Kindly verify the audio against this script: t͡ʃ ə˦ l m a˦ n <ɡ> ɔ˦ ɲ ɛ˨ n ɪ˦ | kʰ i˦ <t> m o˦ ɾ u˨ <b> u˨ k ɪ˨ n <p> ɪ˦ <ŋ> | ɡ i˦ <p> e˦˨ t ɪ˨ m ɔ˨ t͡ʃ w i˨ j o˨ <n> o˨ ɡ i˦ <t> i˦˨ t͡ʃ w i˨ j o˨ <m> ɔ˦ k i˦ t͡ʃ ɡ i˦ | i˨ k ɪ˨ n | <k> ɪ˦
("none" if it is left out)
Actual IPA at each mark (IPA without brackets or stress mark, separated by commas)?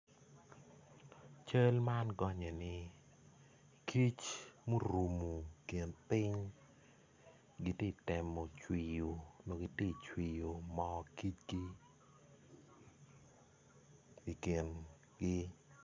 ɡ, t͡ʃ, m, p, ɲ, t, n, t, m, ɡ